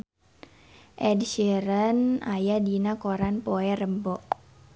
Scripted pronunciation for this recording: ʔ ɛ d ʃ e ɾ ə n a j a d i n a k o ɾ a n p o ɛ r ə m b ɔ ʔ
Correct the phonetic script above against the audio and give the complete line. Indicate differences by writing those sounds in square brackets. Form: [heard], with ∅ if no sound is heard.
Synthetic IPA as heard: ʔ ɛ d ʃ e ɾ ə n a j a d i n a k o ɾ a n p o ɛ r ə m b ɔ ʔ